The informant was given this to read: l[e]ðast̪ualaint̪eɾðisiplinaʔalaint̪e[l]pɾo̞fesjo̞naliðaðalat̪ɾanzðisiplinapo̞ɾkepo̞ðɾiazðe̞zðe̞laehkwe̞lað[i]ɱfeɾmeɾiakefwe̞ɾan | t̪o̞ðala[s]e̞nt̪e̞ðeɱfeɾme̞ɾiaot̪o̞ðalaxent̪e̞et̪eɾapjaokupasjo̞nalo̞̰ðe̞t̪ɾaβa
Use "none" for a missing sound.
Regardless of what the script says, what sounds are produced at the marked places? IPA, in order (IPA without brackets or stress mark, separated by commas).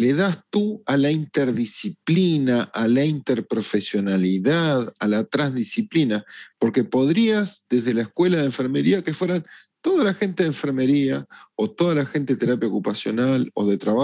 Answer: e, ɾ, e, x